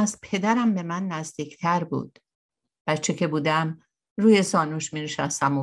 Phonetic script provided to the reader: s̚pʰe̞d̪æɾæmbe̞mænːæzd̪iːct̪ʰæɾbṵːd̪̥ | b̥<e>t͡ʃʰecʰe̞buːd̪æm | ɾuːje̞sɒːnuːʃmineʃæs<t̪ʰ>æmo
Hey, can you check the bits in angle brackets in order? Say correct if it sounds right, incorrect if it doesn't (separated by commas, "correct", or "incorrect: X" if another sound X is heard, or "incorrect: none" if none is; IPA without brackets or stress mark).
incorrect: æ, incorrect: t̪